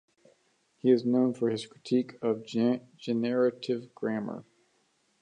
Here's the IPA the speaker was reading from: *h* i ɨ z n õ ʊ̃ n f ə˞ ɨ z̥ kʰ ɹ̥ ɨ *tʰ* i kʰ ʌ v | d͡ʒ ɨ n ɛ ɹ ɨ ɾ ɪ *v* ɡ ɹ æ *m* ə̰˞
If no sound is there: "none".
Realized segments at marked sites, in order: h, tʰ, v, m

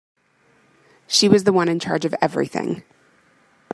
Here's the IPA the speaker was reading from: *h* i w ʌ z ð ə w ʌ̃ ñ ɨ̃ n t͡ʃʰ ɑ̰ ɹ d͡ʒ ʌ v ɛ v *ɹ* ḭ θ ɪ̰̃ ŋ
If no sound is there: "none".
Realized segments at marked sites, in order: ʃ, ɹ

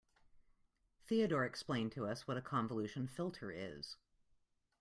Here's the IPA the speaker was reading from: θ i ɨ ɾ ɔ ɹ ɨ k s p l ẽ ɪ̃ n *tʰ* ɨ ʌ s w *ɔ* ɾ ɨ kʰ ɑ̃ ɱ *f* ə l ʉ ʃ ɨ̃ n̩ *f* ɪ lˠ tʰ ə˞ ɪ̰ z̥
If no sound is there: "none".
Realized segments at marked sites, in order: tʰ, ʌ, v, f

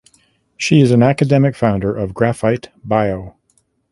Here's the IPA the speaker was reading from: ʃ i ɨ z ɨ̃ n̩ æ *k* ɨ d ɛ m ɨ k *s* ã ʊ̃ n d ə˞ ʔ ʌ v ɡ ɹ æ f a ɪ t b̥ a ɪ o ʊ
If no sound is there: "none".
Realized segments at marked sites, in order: k, f

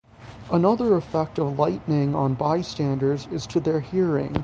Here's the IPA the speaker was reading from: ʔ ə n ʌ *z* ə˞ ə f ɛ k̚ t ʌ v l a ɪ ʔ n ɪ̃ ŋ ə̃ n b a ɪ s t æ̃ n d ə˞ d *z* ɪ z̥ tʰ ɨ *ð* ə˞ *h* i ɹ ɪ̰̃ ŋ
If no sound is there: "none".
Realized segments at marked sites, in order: ð, z, ð, h

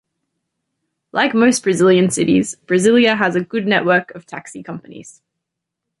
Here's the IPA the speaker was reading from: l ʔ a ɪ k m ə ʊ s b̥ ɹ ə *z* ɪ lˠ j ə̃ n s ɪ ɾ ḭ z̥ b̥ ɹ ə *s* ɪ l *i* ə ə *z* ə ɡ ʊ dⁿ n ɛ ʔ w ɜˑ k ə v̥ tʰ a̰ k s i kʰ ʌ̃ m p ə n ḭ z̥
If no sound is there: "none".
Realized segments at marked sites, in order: z, z, j, z

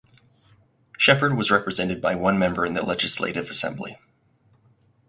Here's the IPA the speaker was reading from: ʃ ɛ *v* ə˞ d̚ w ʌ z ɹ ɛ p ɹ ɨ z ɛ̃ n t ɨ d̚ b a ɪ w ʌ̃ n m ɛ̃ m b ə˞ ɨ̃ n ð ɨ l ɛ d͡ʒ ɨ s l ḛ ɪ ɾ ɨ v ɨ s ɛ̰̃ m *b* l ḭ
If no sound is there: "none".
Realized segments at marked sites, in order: f, b

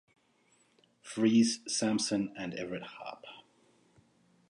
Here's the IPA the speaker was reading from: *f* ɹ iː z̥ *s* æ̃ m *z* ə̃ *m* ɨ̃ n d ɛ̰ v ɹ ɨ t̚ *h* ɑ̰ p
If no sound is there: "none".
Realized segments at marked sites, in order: f, s, s, n, h

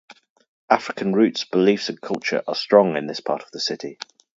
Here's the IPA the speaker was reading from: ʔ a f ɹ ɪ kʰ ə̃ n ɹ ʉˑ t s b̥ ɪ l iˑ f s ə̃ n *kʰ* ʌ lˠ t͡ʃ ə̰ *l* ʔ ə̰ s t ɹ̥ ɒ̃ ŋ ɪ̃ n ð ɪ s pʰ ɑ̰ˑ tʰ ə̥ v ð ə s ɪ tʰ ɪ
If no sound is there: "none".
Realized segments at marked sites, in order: kʰ, ɹ

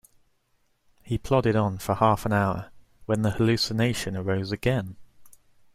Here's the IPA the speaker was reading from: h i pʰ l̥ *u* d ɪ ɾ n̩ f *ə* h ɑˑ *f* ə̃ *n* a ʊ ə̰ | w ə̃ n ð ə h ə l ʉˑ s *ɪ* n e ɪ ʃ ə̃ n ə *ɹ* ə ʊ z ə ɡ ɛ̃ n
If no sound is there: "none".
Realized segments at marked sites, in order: ɒ, ə, f, n, ɪ, ɹ

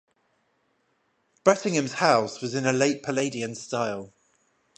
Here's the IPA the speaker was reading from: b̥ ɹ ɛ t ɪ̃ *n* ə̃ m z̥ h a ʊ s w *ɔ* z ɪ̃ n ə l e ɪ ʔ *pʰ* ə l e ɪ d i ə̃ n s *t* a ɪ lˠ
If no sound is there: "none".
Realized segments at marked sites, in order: ŋ, ɒ, pʰ, t

